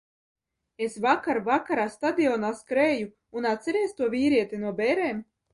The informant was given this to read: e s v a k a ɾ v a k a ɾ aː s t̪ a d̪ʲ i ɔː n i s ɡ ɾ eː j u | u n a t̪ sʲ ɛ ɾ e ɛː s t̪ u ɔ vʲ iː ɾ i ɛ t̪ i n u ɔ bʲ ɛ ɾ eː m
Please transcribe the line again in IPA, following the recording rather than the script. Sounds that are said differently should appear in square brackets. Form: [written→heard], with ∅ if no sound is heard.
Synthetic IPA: e s v a k a ɾ v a k a ɾ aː s t̪ a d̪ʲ i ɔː n [i→a] s [ɡ→k] ɾ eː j u | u n a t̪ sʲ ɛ ɾ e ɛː s t̪ u ɔ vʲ iː ɾ i ɛ t̪ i n u ɔ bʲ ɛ ɾ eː m